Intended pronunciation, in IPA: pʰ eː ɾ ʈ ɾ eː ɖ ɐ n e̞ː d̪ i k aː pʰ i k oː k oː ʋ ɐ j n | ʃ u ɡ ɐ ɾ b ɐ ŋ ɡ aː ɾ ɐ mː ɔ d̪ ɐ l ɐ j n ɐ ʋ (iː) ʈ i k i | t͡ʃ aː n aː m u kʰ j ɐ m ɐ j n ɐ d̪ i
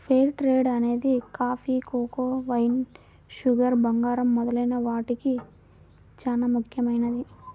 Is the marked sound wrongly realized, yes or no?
yes